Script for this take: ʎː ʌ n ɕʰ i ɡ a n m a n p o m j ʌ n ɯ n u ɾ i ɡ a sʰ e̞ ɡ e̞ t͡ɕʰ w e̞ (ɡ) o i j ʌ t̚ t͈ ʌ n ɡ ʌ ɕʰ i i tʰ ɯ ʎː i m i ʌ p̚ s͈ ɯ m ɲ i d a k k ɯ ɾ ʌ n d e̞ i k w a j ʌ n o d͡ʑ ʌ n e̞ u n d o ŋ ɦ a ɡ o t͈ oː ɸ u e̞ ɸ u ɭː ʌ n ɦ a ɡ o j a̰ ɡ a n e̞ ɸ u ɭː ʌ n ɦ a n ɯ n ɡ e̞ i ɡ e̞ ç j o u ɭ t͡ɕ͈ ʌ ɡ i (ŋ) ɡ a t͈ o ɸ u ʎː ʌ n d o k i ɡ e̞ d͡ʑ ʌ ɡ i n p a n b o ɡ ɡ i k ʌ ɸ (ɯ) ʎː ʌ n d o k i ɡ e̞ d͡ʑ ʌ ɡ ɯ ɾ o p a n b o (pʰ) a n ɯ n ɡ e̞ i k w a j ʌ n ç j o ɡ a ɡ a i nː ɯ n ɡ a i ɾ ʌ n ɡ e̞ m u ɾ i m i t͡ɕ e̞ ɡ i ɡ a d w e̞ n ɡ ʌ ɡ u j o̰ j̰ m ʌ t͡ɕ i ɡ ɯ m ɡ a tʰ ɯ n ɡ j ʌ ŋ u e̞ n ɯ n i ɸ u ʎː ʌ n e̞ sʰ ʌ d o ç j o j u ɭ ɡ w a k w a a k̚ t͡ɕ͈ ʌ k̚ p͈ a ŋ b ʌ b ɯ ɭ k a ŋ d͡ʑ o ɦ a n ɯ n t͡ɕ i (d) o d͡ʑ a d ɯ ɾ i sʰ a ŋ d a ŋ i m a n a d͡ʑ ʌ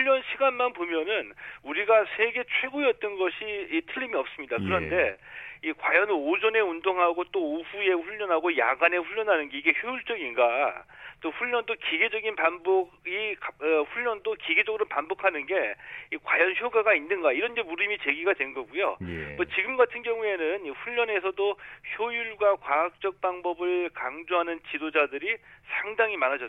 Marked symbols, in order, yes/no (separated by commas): yes, no, no, no, yes